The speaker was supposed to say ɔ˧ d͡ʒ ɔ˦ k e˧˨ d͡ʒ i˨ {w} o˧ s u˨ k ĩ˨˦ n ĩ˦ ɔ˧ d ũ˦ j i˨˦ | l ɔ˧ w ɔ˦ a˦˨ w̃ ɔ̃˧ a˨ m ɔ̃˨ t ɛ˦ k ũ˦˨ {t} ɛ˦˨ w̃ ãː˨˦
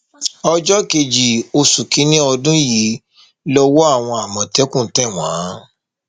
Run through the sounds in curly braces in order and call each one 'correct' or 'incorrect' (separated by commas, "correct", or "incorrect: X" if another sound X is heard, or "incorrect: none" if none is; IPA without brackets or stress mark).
incorrect: none, correct